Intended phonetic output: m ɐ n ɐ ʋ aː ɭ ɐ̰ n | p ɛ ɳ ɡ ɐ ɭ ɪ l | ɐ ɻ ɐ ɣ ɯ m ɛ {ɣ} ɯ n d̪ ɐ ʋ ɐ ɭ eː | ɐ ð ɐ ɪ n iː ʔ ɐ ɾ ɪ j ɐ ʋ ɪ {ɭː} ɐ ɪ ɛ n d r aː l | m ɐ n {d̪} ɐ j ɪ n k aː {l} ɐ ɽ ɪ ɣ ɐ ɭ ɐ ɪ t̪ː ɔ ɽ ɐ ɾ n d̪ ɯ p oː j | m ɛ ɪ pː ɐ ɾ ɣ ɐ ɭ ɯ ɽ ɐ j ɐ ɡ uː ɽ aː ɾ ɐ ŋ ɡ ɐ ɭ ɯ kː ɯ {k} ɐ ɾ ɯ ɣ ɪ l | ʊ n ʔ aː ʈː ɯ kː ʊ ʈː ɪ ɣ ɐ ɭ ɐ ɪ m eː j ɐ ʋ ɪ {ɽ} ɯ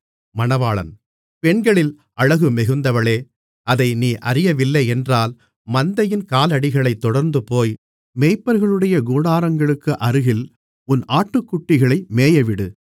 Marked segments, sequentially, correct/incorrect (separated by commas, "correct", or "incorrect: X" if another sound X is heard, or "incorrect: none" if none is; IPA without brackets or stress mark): correct, incorrect: lː, correct, correct, incorrect: ʔ, correct